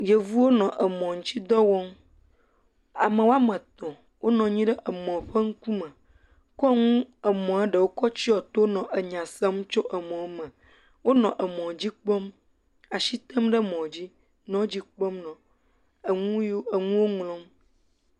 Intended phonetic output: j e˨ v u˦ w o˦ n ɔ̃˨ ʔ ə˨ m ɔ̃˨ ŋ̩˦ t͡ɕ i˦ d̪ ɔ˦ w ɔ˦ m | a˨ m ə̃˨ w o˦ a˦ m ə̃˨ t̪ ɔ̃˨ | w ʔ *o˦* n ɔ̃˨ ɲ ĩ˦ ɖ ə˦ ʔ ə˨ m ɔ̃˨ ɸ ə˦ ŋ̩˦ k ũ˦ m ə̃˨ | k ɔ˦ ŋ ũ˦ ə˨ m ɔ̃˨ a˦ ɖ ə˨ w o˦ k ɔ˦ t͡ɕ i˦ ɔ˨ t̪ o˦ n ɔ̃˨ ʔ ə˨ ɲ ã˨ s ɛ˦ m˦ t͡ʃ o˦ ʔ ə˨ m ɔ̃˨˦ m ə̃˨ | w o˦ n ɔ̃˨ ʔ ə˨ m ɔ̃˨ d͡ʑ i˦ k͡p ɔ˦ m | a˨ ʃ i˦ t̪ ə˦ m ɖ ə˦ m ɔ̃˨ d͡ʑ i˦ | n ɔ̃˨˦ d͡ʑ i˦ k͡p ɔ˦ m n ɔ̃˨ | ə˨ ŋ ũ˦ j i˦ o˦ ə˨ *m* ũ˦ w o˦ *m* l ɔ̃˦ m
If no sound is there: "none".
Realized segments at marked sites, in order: o˦, ŋ, ŋ

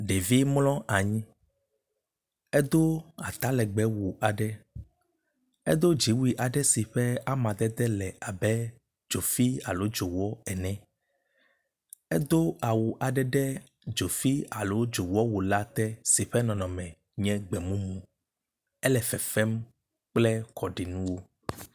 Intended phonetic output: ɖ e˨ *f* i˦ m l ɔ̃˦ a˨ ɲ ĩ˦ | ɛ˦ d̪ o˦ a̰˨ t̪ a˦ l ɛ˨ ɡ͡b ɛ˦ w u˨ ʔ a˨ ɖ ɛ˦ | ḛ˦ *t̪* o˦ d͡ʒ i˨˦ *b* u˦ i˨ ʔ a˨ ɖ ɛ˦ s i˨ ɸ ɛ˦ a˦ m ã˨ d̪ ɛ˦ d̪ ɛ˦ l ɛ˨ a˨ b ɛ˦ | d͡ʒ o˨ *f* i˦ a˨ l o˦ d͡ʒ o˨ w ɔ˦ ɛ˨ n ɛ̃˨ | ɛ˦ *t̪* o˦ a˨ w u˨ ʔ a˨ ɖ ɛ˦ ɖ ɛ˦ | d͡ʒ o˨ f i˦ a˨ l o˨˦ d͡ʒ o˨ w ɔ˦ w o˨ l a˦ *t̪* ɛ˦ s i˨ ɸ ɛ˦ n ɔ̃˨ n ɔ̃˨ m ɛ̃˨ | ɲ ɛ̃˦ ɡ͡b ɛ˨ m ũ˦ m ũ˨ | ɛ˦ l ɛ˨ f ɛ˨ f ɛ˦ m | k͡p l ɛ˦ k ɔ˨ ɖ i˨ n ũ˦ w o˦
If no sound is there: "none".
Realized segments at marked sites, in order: v, d̪, w, f, d̪, t̪

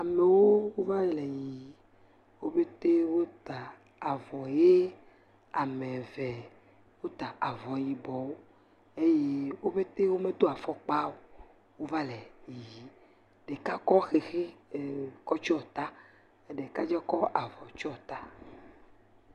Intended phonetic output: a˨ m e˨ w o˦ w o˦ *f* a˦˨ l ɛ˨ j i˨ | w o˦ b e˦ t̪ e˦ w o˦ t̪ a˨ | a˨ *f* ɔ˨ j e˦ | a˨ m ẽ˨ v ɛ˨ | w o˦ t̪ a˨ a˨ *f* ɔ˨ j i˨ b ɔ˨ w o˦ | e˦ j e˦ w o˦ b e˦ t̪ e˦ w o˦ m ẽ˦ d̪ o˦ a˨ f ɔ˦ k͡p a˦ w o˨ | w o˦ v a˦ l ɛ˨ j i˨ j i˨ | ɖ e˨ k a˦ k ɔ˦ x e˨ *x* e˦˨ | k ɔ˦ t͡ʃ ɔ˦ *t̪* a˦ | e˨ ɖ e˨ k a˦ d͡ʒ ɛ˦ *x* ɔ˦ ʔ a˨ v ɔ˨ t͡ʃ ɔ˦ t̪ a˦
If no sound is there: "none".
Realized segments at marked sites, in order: v, v, v, x, t̪, k

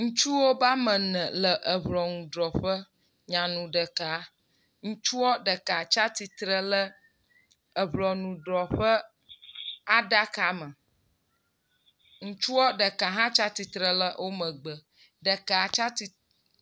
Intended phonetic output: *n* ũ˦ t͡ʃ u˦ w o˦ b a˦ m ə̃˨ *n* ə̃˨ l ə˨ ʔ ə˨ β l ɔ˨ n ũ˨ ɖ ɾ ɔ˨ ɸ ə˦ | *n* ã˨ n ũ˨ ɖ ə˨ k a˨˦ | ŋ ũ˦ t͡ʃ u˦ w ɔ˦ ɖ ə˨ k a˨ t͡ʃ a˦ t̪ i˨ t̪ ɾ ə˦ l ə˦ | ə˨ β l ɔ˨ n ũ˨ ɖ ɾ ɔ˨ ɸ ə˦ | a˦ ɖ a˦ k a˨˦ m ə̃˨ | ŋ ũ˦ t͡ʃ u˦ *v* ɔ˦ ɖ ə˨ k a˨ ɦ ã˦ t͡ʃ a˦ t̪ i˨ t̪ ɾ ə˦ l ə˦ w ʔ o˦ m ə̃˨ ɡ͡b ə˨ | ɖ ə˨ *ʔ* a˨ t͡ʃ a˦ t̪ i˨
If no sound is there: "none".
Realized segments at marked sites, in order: ŋ, n, ɲ, w, k

